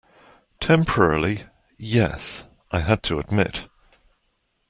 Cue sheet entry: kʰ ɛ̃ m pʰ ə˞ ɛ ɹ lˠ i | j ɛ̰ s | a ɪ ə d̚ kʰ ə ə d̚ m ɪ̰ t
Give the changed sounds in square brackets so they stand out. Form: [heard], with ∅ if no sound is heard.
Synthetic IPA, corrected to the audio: [tʰ] ɛ̃ m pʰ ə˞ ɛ ɹ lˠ i | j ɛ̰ s | a ɪ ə d̚ [tʰ] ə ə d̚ m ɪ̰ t